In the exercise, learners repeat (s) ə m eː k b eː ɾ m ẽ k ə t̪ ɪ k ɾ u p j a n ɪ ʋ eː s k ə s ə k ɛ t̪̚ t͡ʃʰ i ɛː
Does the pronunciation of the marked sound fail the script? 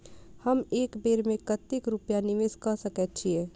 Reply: yes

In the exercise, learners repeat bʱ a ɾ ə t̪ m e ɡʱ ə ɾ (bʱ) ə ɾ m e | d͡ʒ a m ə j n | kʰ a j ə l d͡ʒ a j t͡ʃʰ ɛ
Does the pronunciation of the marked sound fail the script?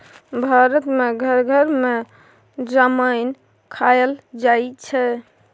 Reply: yes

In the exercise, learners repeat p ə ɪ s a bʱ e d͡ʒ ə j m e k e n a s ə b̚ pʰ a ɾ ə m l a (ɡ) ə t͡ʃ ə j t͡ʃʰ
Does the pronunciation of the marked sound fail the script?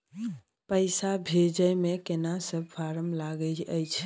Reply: no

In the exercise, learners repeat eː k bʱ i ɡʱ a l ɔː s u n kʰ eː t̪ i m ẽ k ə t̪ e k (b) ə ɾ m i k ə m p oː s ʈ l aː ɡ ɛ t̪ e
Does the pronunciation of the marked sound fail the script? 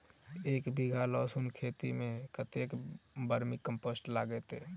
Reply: no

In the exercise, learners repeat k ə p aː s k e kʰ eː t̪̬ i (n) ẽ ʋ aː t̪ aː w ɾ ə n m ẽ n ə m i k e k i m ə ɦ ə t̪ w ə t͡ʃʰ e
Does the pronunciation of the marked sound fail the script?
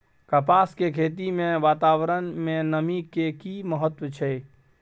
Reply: yes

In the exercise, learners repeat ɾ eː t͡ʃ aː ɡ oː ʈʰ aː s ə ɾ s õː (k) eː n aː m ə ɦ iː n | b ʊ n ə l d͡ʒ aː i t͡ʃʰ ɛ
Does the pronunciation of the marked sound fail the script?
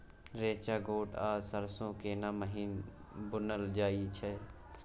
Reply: no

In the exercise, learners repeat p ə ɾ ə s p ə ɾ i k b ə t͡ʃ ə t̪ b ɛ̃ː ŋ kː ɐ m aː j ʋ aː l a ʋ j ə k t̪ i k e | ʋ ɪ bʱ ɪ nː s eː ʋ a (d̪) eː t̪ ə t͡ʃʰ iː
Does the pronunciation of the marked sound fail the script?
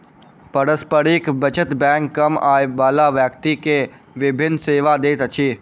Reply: no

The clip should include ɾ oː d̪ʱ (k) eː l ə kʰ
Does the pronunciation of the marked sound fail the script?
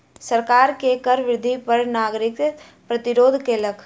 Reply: no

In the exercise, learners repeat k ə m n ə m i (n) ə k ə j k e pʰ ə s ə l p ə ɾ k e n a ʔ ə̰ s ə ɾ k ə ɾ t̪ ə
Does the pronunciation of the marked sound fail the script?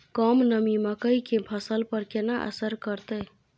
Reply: yes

